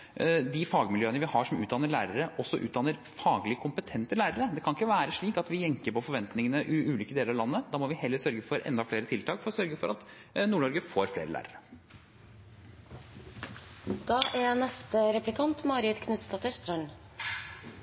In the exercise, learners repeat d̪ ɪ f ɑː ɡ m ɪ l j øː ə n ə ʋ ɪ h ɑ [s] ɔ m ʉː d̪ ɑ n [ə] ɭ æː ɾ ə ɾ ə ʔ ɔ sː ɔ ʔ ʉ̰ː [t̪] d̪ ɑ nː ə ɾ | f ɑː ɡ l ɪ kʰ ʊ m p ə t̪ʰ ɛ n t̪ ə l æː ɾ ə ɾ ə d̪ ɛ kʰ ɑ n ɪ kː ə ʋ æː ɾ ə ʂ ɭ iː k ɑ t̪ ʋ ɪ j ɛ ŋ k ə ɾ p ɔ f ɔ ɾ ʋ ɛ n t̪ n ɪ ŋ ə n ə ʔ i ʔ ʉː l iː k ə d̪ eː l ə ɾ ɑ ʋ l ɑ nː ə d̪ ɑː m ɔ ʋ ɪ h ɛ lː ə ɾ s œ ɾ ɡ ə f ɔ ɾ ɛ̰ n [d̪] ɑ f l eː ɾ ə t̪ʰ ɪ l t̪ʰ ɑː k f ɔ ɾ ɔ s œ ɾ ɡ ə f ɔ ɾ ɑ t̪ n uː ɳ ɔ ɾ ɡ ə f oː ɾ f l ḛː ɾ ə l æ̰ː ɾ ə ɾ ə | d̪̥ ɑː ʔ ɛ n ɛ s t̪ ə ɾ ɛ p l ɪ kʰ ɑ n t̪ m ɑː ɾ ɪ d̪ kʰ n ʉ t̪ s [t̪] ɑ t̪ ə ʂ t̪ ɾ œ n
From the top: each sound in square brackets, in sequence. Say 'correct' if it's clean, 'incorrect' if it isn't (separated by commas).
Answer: incorrect, correct, correct, correct, correct